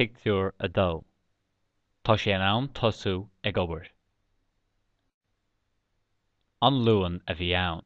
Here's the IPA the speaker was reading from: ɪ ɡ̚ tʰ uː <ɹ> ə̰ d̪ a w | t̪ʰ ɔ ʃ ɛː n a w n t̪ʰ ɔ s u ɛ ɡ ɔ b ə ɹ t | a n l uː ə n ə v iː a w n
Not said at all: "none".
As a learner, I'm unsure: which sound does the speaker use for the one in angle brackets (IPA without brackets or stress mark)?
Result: ɹ